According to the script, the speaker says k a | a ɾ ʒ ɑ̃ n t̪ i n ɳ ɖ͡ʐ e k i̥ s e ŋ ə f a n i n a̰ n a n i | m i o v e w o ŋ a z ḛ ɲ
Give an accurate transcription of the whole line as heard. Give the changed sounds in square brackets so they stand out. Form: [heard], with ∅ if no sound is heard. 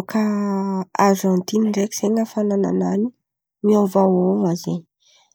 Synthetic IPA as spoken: k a | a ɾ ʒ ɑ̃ n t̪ i n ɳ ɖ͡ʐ e k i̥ s e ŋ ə f a n [a] n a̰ n a n i | m i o v [a] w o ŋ a z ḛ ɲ